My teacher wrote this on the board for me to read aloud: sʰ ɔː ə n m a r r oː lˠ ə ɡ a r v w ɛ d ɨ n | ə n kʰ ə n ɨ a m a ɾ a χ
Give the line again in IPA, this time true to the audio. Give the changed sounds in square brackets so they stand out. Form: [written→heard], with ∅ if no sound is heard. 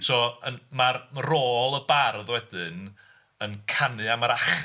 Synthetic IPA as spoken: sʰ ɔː ə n m a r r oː lˠ ə [ɡ→b] a r [v→ð] w ɛ d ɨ n | ə n kʰ [ə→a] n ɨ a m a ɾ a χ